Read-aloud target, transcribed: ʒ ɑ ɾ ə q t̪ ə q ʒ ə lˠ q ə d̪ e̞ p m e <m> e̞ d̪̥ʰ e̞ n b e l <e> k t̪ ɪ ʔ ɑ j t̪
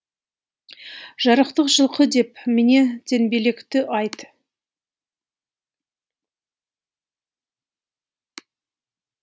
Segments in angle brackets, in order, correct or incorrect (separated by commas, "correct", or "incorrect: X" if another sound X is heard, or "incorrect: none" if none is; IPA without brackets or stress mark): incorrect: n, correct